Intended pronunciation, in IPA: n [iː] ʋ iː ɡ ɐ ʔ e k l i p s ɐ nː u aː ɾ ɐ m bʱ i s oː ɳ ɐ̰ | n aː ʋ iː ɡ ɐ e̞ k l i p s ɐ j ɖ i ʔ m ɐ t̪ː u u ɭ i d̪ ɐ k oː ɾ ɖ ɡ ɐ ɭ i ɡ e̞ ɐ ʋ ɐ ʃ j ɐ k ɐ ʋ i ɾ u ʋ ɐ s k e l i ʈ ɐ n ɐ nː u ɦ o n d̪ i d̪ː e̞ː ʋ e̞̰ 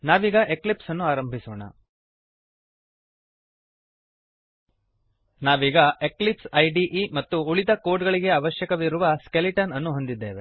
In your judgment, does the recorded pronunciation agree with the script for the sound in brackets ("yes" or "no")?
no